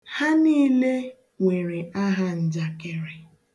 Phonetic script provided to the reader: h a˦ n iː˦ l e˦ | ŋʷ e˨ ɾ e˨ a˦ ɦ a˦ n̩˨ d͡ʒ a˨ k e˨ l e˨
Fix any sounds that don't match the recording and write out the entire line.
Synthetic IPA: h a˦ n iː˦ l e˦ | ŋʷ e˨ ɾ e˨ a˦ ɦ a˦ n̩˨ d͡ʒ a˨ k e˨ ɾ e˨

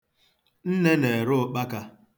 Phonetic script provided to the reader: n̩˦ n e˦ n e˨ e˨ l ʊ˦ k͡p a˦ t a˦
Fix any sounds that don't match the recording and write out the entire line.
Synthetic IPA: n̩˦ n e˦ n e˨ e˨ ɾ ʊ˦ k͡p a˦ k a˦

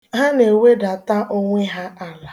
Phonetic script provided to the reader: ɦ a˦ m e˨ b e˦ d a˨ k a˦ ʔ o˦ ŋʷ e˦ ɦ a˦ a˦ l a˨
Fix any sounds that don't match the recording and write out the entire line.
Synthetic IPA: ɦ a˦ n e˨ w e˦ d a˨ t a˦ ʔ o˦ ŋʷ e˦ ɦ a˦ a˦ l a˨

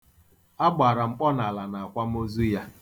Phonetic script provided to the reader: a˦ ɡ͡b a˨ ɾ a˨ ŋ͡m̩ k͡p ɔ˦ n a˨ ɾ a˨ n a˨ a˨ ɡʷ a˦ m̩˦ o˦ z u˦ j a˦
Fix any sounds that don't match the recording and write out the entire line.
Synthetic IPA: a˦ ɡ͡b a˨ ɾ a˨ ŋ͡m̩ k͡p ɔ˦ n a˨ l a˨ n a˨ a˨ kʷ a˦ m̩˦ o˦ z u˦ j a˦

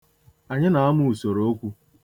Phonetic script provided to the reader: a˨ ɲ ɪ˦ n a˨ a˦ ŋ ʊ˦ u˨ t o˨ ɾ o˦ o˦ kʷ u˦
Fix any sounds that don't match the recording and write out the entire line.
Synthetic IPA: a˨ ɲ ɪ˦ n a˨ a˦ m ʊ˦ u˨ s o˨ ɾ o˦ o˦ kʷ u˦

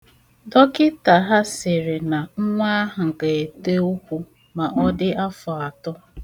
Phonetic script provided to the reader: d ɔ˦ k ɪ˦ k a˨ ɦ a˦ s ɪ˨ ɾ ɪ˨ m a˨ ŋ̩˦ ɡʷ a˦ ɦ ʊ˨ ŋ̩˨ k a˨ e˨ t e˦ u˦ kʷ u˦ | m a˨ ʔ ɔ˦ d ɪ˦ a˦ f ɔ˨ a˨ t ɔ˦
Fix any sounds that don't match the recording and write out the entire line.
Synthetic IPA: d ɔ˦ k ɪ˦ t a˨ ɦ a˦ s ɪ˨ ɾ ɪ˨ n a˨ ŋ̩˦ ŋʷ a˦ ɦ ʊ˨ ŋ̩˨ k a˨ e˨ t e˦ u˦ kʷ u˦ | m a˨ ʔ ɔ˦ d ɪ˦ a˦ f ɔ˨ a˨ t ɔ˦

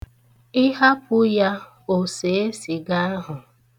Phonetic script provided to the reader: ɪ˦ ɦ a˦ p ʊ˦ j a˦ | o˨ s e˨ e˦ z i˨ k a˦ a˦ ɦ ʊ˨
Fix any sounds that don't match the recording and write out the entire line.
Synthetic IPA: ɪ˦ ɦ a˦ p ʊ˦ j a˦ | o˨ s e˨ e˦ s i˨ ɡ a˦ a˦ ɦ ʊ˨

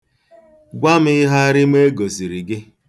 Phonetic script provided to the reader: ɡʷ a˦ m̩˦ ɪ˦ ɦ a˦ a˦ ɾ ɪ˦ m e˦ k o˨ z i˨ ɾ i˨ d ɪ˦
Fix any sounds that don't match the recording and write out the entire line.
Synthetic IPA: ɡʷ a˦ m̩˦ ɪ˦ ɦ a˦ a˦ ɾ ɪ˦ m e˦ ɡ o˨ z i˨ ɾ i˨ ɡ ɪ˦

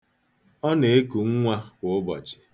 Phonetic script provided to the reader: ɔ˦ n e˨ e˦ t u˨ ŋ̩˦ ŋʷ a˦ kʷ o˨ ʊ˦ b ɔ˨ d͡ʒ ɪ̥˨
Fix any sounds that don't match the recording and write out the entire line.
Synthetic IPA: ɔ˦ n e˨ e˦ k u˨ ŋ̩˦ ŋʷ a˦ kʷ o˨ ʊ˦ b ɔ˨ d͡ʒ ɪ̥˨

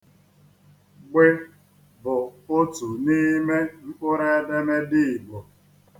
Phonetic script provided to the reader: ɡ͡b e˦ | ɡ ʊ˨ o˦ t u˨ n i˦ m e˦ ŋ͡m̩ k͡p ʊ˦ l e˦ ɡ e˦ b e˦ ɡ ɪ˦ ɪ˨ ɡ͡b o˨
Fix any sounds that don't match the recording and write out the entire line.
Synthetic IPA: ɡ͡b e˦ | b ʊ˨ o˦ t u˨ n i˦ m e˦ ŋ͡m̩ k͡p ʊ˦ ɾ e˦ d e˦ m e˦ d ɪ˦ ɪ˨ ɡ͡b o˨

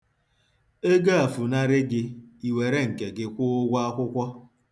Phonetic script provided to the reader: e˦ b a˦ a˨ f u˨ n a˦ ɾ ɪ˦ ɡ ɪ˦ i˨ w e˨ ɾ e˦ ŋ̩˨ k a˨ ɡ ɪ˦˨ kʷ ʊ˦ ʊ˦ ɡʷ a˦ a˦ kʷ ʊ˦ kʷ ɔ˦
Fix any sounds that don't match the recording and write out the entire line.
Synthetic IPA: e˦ ɡ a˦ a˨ f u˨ n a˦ ɾ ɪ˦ ɡ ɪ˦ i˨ w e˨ ɾ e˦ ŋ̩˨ k e˨ ɡ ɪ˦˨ kʷ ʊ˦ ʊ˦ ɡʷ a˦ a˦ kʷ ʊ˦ kʷ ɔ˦

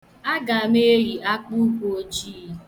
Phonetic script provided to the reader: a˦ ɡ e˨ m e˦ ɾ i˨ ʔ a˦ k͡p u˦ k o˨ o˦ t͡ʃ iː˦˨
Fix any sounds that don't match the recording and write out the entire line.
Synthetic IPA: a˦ ɡ a˨ m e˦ ɾ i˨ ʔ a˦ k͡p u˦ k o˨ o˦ t͡ʃ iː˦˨

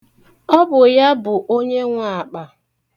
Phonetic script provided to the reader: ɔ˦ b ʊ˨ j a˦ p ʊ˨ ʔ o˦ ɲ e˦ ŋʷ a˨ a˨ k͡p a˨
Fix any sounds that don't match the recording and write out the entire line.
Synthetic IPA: ɔ˦ b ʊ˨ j a˦ b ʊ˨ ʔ o˦ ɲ e˦ ŋʷ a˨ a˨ k͡p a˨

